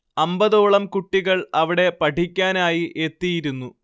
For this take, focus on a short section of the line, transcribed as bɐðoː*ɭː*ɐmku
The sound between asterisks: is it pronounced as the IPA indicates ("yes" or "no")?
no